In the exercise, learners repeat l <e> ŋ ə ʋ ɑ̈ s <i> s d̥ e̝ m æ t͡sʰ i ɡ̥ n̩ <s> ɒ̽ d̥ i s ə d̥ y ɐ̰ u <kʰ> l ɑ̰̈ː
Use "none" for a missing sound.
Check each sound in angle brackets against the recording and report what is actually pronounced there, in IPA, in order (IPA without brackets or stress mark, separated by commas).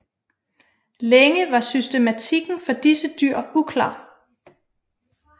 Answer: e, y, f, kʰ